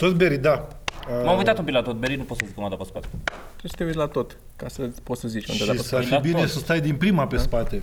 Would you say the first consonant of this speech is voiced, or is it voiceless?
voiceless